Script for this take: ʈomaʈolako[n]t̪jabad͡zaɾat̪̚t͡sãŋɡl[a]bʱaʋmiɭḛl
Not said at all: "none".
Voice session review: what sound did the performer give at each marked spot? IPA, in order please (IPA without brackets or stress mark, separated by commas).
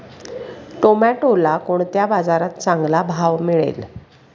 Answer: ɳ, a